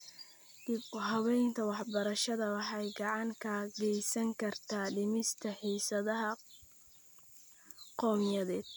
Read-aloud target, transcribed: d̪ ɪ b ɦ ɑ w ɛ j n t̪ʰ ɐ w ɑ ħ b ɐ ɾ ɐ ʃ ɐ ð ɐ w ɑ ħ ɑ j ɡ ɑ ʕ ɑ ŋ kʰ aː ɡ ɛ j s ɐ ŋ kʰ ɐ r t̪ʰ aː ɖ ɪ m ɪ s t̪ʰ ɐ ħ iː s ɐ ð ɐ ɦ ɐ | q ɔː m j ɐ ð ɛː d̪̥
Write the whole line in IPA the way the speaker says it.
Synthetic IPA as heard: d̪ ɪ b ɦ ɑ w ɛ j n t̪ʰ ɐ w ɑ ħ b ɐ ɾ ɐ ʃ ɐ ð ɐ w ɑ ħ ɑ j ɡ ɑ ʕ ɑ ŋ kʰ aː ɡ ɛ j s ɐ ŋ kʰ ɐ r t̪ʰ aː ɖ ɪ m ɪ s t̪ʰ ɐ ħ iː s ɐ ð ɐ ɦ ɐ | q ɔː m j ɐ ð ɛː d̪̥